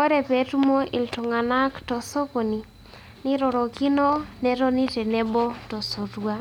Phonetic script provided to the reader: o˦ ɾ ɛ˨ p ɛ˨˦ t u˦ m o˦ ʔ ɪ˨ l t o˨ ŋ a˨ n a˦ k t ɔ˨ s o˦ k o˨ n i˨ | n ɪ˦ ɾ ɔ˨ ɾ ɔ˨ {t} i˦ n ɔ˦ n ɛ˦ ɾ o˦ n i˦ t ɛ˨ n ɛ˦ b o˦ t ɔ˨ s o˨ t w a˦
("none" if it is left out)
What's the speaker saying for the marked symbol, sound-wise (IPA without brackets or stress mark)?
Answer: k